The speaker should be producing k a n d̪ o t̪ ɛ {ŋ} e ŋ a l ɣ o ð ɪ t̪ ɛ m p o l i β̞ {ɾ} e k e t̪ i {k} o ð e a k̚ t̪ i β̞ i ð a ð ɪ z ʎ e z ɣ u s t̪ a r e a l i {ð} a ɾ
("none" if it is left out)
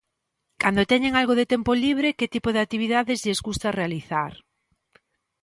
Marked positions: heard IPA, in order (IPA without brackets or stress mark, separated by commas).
ɲ, ɾ, p, θ